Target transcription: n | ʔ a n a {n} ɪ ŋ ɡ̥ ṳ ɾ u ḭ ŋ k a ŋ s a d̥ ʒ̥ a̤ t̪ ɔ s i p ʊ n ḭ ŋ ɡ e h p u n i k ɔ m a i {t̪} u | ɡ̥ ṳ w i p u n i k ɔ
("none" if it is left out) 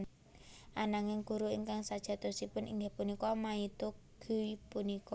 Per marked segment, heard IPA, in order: ŋ, t̪

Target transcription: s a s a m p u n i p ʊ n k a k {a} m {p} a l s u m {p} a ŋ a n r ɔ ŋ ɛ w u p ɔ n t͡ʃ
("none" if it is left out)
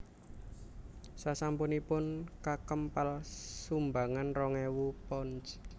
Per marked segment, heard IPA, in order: ə, p, b

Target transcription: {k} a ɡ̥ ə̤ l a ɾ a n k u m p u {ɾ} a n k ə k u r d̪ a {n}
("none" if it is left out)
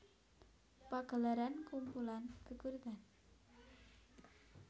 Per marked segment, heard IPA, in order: p, l, n

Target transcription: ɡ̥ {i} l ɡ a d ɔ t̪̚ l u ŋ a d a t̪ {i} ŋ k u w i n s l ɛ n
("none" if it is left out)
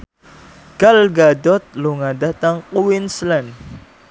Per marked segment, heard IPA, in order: a, a

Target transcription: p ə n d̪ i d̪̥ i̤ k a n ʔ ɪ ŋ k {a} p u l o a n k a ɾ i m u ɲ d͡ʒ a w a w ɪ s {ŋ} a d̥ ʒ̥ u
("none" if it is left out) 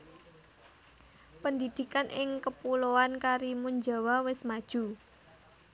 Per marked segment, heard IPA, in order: ə, m

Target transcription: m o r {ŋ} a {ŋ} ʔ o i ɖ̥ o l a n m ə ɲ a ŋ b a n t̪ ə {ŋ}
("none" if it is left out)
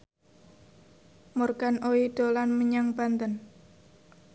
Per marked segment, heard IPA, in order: ɡ, n, n

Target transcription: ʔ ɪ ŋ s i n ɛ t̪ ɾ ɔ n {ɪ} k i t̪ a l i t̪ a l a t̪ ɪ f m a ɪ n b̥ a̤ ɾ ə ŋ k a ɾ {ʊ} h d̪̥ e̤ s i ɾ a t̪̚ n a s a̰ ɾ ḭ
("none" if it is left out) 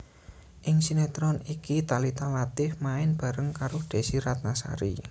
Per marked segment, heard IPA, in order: i, ʊ

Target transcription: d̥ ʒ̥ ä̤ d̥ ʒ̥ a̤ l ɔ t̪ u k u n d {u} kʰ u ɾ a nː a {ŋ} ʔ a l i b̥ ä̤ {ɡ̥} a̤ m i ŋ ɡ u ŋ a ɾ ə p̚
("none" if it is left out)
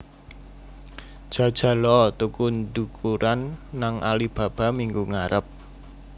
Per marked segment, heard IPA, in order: u, ŋ, b̥

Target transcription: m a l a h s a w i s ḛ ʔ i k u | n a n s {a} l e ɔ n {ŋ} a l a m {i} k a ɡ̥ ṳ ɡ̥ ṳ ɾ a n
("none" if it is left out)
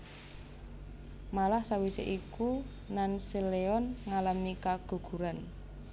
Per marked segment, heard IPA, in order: i, ŋ, i

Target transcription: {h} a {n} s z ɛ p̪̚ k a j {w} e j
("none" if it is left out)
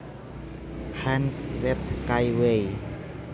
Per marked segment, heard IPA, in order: h, n, w

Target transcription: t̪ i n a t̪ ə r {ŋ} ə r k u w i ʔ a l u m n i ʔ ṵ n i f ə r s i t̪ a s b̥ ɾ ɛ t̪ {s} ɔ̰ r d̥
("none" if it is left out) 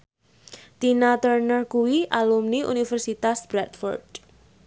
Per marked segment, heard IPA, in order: n, f

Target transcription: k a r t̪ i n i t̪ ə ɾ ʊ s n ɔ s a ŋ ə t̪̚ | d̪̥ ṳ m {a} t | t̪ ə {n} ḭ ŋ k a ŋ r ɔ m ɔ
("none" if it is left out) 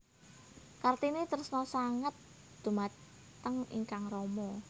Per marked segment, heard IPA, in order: a, ŋ

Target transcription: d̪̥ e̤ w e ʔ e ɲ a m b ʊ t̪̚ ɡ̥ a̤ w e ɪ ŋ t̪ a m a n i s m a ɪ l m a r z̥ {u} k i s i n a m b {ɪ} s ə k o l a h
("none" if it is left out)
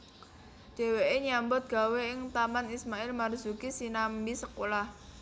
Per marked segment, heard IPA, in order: u, i

